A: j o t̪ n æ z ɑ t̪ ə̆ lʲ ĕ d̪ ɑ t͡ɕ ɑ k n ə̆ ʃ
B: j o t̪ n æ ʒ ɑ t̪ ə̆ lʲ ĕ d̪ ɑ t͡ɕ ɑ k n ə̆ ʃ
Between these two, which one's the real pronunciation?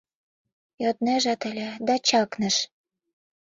B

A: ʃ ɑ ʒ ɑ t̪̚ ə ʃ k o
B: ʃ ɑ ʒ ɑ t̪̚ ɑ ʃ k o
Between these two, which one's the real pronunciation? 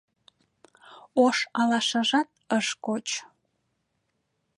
A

